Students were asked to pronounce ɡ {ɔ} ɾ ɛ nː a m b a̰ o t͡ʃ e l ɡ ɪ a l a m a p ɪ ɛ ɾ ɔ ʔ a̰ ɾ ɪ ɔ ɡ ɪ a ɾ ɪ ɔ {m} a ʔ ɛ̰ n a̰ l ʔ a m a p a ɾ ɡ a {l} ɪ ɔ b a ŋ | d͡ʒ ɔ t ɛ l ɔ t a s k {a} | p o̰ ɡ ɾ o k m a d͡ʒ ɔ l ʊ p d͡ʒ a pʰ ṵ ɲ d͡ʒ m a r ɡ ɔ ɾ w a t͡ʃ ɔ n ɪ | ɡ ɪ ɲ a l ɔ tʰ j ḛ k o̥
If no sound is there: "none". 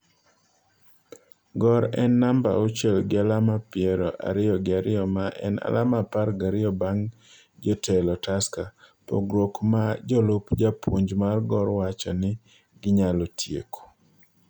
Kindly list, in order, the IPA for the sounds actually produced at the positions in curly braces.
ɔ, m, ɾ, a

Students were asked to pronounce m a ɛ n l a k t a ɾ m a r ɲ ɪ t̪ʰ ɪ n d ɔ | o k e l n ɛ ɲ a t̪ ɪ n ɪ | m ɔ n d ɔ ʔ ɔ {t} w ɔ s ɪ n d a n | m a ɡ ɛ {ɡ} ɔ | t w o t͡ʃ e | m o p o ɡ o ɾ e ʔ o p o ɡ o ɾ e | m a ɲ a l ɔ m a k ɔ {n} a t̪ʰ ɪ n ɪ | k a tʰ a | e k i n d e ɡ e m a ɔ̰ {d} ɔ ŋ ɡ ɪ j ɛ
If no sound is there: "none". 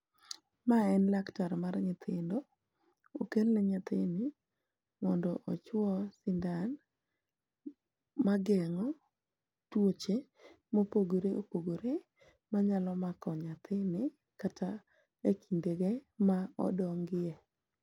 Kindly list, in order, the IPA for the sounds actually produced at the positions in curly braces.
t͡ʃ, ŋ, ɲ, d

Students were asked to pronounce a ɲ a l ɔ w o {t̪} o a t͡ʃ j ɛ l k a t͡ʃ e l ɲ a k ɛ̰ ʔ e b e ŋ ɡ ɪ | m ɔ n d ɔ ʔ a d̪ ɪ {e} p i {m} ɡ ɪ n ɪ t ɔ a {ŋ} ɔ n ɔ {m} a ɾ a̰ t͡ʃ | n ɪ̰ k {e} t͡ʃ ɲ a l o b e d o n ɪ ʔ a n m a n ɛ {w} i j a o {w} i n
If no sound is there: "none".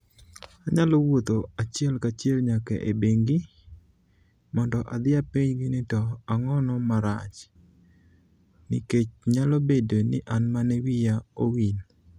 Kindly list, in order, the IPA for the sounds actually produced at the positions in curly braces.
t̪, a, ɲ, ŋ, m, e, w, w

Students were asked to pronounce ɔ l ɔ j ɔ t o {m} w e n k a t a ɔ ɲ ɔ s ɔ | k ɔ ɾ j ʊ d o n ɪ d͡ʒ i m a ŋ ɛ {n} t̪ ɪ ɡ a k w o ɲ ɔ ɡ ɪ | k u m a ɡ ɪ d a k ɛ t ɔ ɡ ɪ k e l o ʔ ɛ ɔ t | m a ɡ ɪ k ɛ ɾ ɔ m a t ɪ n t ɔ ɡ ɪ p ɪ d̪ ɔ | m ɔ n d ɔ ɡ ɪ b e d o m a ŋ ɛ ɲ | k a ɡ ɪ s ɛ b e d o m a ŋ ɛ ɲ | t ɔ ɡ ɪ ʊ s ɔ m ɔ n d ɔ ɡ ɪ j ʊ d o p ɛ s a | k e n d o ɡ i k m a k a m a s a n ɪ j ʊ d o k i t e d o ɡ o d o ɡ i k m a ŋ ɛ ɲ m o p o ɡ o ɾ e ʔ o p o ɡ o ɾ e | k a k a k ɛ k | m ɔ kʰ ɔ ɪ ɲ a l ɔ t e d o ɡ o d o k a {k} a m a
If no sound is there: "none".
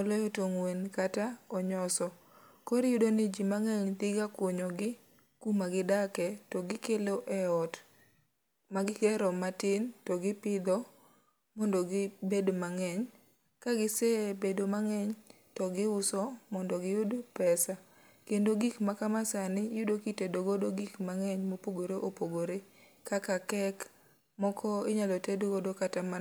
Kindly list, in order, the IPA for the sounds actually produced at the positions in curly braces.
ŋ, ɲ, t

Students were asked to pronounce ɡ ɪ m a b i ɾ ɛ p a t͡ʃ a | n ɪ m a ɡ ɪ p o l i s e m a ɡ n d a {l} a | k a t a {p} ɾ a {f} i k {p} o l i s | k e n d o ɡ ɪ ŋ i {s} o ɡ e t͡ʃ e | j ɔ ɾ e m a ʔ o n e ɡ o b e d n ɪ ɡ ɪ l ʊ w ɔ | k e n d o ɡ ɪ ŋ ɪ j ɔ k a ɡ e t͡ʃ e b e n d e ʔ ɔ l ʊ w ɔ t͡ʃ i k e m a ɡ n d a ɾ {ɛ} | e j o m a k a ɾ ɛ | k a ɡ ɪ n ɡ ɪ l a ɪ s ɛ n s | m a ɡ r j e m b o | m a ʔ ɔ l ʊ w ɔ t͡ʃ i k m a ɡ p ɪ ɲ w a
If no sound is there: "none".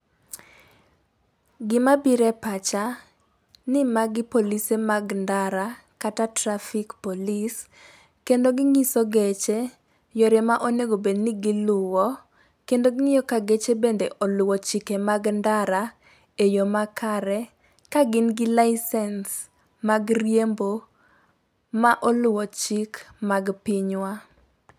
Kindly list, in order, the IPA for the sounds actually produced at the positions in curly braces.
ɾ, t, f, p, s, a

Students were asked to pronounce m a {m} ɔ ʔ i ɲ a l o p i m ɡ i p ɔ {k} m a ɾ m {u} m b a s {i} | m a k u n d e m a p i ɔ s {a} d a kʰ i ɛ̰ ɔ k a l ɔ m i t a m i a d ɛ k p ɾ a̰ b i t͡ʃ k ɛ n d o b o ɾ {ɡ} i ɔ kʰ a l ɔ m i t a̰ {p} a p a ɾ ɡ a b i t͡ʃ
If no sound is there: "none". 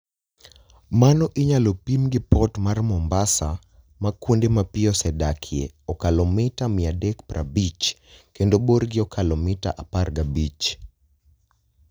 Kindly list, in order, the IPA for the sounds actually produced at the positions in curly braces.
n, t, ɔ, a, ɛ, ɡ, ʔ

